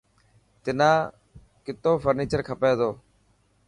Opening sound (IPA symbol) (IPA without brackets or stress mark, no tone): t̪